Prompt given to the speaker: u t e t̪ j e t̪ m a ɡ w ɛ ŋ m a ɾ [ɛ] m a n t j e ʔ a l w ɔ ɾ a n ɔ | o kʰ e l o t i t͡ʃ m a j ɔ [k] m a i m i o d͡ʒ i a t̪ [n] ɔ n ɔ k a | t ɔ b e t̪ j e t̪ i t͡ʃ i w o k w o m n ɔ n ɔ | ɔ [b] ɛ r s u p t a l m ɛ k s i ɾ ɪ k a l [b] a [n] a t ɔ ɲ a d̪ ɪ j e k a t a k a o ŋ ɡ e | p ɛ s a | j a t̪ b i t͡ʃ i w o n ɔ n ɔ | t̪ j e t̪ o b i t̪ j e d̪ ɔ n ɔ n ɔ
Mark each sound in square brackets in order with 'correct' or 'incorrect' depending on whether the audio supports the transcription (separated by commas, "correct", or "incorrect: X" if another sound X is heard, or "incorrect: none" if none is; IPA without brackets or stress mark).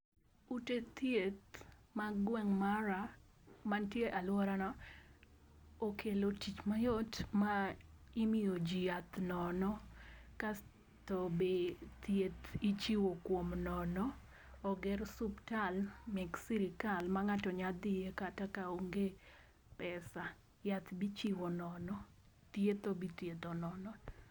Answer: incorrect: a, incorrect: t, correct, incorrect: ɡ, incorrect: m, incorrect: ŋ